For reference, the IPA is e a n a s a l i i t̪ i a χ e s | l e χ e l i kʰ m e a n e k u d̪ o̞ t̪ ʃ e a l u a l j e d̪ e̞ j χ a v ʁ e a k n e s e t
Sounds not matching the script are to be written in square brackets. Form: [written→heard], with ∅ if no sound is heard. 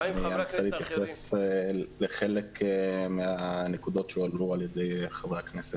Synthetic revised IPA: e a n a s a l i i t̪ [i→j] a χ e s | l e χ e l [i→e] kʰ m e a n e k u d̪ o̞ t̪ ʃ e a l u a l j e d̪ e̞ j χ a v ʁ e a k n e s e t